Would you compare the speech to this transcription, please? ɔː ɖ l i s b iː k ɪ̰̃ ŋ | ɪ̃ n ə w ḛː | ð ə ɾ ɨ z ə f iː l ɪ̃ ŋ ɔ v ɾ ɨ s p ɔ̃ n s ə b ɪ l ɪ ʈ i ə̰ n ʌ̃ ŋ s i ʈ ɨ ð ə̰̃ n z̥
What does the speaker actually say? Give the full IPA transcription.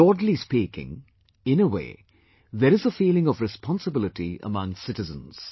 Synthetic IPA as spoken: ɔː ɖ l i s p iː k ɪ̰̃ ŋ | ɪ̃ n ə w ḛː | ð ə ɾ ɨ z ə f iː l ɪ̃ ŋ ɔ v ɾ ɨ s p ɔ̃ n s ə b ɪ l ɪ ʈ i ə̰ m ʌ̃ ŋ s ɪ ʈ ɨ z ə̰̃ n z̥